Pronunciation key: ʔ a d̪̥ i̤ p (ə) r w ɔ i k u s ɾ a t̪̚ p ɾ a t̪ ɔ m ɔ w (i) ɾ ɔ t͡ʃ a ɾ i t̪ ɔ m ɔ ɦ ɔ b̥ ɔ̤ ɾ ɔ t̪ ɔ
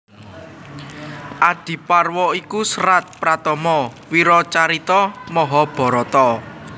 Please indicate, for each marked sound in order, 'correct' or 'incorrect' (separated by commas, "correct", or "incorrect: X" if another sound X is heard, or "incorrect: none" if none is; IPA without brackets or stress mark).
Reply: incorrect: a, correct